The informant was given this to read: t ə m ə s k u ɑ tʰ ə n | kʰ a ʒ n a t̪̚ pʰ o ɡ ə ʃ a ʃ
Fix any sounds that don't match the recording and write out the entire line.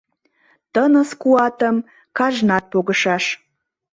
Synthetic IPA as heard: t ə n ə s k u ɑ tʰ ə m | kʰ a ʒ n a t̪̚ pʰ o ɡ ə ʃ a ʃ